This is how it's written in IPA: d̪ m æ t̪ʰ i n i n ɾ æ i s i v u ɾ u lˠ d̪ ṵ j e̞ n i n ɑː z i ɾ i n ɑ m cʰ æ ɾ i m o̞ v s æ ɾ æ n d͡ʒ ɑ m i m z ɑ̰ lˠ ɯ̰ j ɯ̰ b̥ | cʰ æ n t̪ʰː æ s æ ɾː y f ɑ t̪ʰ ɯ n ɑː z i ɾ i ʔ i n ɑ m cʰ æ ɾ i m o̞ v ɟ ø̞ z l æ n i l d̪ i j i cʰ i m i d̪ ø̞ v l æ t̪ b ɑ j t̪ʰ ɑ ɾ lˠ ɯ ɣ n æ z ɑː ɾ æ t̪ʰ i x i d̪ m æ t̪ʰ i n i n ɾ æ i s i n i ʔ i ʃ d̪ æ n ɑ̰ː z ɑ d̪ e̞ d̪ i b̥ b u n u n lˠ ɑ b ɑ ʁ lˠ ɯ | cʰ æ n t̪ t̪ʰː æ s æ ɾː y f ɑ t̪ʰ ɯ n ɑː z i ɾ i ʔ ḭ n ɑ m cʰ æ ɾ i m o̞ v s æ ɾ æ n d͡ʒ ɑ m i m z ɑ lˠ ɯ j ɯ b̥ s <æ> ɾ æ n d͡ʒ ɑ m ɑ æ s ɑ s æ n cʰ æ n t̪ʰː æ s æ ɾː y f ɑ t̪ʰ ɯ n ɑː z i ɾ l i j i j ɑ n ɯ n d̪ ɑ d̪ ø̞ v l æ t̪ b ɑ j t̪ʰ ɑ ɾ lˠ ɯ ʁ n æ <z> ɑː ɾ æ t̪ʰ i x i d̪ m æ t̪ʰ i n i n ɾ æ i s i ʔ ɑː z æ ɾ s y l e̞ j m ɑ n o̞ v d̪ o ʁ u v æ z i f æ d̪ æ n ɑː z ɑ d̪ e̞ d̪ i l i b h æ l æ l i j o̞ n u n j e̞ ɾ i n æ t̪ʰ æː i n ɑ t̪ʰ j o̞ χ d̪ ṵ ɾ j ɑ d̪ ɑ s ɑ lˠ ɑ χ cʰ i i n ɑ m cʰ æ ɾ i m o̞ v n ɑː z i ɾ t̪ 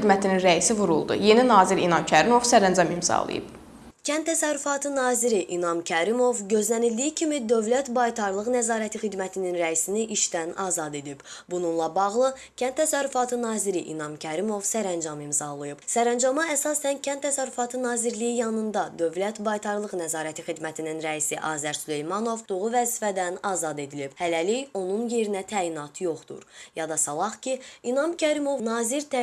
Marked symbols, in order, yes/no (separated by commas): yes, yes